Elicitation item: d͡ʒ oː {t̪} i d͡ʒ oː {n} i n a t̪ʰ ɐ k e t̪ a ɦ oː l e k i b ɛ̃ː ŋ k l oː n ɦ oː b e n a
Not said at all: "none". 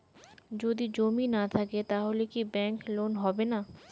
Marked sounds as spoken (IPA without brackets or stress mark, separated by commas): d̪, m